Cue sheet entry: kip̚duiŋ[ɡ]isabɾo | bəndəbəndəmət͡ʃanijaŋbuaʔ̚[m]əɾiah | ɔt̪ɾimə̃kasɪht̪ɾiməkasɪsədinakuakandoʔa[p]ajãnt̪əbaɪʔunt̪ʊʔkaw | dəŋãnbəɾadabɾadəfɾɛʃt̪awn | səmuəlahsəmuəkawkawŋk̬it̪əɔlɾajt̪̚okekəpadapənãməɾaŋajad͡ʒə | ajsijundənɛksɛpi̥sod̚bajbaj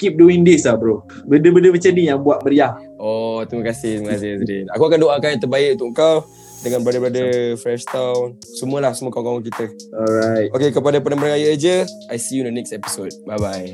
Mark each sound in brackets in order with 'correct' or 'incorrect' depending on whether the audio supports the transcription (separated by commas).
incorrect, correct, incorrect